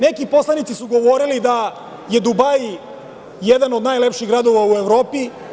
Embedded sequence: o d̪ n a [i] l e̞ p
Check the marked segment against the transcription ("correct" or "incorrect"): incorrect